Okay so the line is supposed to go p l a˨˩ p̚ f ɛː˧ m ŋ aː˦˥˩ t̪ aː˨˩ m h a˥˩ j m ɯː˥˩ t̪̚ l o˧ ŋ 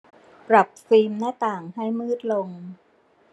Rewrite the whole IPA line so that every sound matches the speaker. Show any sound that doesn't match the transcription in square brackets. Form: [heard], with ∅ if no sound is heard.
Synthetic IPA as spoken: p [ɾ] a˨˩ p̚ f [iː˧] m [n] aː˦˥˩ t̪ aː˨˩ [ŋ] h a˥˩ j m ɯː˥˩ t̪̚ l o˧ ŋ